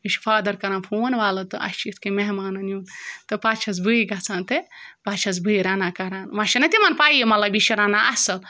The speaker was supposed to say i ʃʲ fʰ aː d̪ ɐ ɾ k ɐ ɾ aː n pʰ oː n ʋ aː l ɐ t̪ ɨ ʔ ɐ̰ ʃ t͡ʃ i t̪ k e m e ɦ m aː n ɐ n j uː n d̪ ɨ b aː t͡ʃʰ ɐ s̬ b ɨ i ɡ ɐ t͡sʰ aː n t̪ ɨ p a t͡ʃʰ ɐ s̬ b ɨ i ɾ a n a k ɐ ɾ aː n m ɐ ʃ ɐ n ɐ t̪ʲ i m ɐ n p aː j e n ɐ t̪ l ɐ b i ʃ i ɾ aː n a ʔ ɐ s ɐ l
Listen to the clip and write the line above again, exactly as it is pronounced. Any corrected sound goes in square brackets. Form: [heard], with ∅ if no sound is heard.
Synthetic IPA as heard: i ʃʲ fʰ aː d̪ ɐ ɾ k ɐ ɾ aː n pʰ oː n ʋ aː l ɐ t̪ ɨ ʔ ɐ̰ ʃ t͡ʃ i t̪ k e m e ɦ m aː n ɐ n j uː n [t̪] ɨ [p] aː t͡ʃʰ ɐ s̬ b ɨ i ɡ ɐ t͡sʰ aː n t̪ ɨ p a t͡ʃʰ ɐ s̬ b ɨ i ɾ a n a k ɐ ɾ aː n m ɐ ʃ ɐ n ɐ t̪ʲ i m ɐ n p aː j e [m] ɐ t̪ l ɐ b i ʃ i ɾ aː n a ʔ ɐ s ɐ l